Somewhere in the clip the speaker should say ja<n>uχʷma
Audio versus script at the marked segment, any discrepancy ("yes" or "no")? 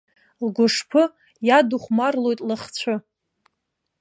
yes